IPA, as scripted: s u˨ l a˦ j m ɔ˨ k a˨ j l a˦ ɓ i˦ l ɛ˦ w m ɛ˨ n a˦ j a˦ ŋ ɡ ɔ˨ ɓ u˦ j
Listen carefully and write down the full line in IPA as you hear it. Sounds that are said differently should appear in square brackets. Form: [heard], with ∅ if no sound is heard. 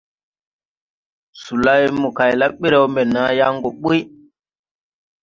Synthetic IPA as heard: s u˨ l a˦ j m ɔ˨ k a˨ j l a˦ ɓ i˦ [ɾ] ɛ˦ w m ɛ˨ n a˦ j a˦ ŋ ɡ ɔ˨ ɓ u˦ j